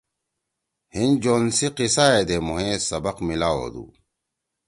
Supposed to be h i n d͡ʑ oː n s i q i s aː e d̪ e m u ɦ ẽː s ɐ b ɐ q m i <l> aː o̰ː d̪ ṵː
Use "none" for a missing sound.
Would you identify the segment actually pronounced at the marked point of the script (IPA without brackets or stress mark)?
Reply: l